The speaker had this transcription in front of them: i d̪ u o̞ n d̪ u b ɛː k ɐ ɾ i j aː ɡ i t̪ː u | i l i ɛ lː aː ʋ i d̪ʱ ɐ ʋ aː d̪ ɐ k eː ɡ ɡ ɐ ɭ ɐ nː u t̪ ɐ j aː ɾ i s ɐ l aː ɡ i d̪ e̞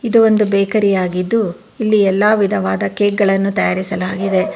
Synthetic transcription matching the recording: i d̪ u o̞ n d̪ u b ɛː k ɐ ɾ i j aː ɡ i d̪ː u | i lː i ɛ lː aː ʋ i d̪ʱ ɐ ʋ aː d̪ ɐ k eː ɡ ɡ ɐ ɭ ɐ nː u t̪ ɐ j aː ɾ i s ɐ l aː ɡ i d̪ e̞